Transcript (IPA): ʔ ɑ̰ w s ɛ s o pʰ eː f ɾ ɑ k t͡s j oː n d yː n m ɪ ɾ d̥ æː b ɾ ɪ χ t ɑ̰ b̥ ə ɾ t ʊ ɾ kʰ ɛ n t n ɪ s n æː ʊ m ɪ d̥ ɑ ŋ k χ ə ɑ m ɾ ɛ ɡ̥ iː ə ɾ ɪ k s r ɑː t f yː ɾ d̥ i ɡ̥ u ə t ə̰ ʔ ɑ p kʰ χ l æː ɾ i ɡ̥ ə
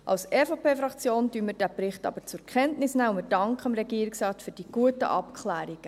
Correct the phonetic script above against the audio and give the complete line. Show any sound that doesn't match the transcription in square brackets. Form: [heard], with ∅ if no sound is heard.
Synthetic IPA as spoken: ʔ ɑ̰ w s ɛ [f] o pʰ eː f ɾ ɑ k t͡s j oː n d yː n m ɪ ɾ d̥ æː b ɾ ɪ χ t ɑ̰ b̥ ə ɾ [t͡s] ʊ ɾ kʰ ɛ n t n ɪ s n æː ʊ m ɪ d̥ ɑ ŋ k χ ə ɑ m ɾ ɛ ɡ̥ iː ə ɾ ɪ k s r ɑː t f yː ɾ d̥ i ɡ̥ u ə t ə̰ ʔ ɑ p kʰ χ l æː ɾ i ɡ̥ ə